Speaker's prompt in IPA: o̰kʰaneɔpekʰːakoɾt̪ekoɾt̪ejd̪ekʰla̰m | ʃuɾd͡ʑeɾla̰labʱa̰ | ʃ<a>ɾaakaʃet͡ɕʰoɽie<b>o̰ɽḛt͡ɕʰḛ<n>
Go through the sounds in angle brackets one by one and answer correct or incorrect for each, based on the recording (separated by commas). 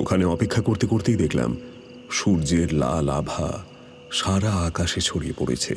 correct, incorrect, incorrect